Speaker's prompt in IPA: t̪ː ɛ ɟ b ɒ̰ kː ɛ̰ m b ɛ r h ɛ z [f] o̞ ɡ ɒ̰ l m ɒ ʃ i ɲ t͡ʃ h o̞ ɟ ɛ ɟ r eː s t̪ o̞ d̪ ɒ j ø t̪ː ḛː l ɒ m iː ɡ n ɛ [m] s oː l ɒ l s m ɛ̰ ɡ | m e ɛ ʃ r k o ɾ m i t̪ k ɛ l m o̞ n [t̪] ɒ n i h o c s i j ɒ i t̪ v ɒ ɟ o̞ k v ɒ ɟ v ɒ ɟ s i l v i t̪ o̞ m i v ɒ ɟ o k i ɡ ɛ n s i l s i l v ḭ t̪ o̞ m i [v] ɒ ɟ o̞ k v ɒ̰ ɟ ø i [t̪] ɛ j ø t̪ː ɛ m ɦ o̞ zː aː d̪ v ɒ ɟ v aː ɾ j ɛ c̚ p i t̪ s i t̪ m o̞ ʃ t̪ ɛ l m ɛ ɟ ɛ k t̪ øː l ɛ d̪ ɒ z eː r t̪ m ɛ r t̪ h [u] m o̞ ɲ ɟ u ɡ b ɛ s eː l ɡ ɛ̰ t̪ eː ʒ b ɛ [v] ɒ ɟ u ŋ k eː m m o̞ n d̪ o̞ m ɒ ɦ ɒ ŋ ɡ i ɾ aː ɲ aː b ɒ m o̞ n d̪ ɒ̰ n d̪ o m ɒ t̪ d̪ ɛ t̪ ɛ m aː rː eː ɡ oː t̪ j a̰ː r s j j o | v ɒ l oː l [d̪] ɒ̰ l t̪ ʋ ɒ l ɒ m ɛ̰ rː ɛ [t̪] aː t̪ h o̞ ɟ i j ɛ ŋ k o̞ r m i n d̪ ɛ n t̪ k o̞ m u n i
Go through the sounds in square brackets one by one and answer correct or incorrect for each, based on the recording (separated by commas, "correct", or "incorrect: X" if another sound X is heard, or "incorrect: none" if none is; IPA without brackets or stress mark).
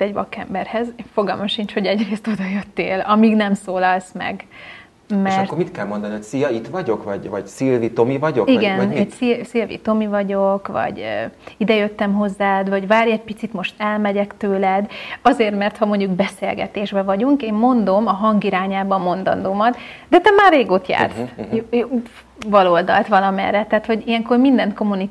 correct, correct, incorrect: d̪, correct, incorrect: d̪, incorrect: ɒ, correct, correct, correct